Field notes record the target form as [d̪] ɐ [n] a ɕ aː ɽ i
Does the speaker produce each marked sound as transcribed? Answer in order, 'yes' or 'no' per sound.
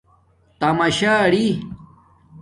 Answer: no, no

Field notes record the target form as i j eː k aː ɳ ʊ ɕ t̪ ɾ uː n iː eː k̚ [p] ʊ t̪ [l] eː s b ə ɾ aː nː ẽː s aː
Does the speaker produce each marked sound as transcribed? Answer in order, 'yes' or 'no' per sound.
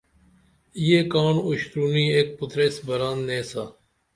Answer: yes, no

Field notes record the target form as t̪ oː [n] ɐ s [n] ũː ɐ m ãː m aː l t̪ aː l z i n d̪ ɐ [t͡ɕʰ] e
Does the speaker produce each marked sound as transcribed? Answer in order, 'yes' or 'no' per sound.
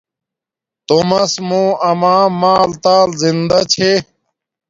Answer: no, no, yes

